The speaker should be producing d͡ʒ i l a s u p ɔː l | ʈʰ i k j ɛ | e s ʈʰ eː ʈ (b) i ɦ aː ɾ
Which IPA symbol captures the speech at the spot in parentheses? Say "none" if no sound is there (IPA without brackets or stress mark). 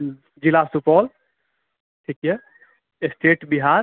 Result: b